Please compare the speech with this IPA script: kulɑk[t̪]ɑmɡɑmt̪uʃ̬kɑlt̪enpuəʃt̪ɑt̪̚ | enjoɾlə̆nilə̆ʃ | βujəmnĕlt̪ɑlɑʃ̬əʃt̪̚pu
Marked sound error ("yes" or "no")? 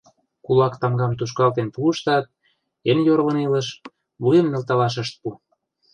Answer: no